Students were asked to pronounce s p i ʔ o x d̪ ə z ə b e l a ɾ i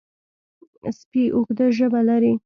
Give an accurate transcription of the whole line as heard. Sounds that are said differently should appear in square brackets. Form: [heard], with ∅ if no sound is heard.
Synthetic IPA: s p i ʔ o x d̪ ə [ʒ] ə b [a] l a ɾ i